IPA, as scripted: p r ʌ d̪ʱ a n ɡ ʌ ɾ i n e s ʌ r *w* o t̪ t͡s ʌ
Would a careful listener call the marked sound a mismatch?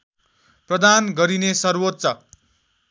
no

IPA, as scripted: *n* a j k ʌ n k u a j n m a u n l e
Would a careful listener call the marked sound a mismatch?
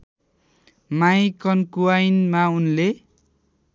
yes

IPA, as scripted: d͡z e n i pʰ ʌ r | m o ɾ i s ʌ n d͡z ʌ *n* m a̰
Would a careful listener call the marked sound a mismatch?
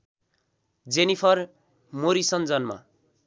no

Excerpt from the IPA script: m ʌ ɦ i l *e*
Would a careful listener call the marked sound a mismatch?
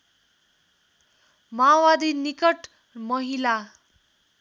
yes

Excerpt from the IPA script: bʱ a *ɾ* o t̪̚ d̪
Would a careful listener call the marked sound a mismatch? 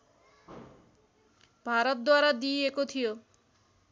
no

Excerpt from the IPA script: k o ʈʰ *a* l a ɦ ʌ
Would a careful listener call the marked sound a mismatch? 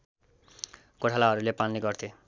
no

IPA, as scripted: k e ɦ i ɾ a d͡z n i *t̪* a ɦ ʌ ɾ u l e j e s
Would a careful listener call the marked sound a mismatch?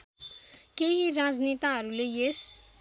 no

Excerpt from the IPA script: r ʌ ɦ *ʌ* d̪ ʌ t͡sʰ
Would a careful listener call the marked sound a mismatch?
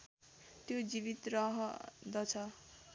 no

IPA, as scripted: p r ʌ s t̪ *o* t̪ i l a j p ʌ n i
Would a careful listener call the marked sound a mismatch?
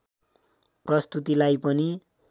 yes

